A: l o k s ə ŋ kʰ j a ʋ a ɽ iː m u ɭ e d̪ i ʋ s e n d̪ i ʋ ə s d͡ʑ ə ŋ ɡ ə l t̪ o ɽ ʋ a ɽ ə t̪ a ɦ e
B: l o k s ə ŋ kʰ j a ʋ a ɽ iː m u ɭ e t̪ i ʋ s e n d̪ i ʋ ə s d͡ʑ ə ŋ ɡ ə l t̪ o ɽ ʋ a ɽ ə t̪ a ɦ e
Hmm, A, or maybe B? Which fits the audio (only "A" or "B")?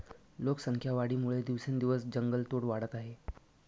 A